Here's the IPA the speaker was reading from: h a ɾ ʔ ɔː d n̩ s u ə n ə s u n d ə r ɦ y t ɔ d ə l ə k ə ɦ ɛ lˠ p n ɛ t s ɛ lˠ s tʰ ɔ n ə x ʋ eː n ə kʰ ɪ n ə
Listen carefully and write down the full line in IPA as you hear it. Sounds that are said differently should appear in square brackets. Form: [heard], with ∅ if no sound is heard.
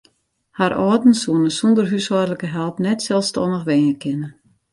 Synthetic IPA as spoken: h a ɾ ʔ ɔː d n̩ s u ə n ə s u n d ə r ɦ y [s] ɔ d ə l ə k ə ɦ ɛ lˠ p n ɛ t s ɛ lˠ s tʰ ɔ n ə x ʋ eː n ə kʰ ɪ n ə